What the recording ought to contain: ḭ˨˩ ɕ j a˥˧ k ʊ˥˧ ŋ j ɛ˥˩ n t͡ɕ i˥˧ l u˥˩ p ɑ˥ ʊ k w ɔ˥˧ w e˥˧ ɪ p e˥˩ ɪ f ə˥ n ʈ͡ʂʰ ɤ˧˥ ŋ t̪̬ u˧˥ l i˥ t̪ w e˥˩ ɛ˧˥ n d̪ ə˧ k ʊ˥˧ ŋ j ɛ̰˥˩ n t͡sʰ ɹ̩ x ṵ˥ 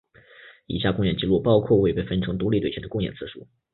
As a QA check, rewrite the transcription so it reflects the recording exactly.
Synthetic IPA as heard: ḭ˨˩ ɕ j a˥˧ k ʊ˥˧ ŋ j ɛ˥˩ n t͡ɕ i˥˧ l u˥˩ p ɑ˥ ʊ kʰ w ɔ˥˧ w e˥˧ ɪ p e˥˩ ɪ f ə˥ n ʈ͡ʂʰ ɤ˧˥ ŋ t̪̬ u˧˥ l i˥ t̪ w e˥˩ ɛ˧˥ n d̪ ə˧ k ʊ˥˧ ŋ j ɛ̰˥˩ n t͡sʰ ɹ̩ ʂ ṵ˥